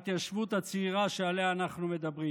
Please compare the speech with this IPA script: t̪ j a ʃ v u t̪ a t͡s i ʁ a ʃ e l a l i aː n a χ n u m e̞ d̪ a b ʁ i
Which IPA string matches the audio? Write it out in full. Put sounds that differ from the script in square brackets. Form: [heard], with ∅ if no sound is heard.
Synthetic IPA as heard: t̪ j a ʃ v u t̪ a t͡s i ʁ a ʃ e [∅] a l [e] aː n a χ n u m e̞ d̪ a b ʁ i